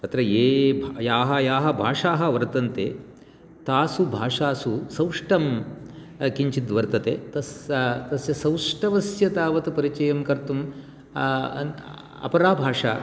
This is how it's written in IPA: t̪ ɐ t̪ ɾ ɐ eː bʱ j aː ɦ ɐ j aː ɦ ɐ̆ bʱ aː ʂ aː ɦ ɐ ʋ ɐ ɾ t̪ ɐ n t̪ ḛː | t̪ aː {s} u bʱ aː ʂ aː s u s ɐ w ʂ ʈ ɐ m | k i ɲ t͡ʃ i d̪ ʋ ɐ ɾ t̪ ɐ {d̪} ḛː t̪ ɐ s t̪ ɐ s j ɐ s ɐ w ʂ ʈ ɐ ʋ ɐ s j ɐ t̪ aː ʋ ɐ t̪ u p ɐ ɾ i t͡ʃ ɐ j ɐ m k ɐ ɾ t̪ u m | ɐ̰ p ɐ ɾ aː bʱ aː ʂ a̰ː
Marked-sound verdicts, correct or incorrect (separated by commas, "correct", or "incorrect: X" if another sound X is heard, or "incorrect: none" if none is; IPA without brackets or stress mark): correct, incorrect: t̪